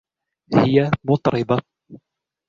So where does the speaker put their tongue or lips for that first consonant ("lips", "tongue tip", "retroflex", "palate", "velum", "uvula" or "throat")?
throat